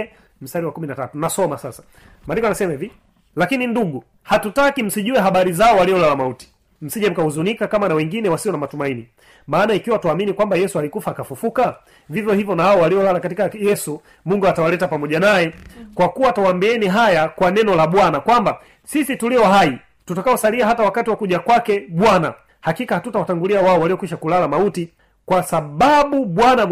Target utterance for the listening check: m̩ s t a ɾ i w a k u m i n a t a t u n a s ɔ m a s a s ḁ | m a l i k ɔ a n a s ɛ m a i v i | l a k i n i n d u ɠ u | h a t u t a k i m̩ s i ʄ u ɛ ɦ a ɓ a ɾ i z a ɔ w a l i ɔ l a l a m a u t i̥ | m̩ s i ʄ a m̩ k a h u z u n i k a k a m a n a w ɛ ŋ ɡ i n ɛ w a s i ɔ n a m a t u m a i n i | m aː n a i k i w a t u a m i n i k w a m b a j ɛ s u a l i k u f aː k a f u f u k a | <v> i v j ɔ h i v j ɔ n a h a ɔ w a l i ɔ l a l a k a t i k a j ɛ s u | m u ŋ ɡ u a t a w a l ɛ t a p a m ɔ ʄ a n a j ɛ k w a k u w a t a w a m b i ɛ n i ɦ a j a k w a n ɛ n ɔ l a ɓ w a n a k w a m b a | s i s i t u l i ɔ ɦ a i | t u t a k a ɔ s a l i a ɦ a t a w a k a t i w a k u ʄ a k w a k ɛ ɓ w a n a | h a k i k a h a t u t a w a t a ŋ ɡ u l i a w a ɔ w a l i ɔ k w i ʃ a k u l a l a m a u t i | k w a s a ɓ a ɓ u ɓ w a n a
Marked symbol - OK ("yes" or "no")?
yes